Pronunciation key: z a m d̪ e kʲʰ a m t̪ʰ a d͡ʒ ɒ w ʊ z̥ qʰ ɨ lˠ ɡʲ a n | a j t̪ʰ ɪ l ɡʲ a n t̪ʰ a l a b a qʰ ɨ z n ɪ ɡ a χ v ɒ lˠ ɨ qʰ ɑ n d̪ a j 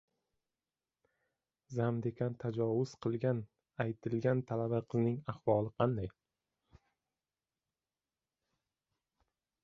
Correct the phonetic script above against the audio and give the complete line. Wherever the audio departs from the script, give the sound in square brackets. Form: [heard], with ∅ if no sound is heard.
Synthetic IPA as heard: z a m d̪ e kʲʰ a [n] t̪ʰ a d͡ʒ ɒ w ʊ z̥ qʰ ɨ lˠ ɡʲ a n | a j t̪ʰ ɪ l ɡʲ a n t̪ʰ a l a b a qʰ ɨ z n ɪ [ŋ] a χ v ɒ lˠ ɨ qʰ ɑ n d̪ a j